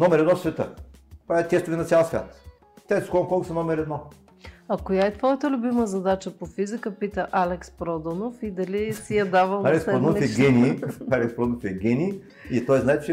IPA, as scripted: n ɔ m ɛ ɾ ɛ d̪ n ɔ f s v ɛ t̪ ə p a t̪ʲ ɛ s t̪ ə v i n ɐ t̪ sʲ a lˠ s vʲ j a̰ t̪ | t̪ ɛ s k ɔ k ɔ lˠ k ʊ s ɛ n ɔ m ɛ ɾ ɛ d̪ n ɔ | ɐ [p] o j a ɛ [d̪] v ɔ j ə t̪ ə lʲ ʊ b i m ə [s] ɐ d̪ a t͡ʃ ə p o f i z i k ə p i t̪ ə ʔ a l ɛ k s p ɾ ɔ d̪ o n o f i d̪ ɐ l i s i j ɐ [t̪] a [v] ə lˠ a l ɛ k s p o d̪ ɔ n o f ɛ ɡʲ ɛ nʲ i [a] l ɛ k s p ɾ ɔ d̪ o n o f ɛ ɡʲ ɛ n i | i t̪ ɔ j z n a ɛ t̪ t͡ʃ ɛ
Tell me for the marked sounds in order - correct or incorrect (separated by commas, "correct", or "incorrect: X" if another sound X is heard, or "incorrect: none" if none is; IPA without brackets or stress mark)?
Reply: incorrect: k, incorrect: t̪, incorrect: z, incorrect: d̪, correct, correct